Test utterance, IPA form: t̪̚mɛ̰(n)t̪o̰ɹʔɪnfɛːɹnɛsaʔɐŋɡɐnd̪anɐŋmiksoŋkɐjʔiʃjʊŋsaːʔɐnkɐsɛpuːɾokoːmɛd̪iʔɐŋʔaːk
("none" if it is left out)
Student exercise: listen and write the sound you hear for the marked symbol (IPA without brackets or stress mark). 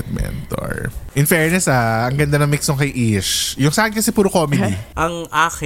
n